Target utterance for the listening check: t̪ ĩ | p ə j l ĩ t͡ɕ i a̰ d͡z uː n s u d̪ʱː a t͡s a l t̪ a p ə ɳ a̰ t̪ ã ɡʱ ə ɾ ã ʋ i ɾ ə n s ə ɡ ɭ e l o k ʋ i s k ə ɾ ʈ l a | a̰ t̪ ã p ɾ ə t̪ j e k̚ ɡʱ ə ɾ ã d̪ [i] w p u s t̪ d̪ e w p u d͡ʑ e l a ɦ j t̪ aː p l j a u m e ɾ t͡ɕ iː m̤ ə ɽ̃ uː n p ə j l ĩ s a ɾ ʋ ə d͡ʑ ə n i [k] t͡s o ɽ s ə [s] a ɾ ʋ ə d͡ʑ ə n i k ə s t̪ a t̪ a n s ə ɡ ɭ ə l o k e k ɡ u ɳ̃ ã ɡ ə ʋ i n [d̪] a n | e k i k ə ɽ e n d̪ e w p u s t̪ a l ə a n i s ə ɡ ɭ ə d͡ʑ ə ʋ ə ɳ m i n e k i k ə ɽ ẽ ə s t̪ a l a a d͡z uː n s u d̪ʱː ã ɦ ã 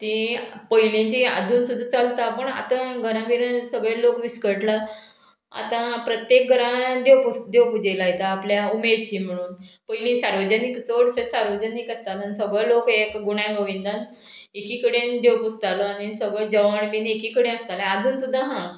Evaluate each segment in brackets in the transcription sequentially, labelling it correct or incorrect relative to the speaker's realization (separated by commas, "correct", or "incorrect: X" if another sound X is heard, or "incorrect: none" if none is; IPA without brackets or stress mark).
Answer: incorrect: e, correct, correct, correct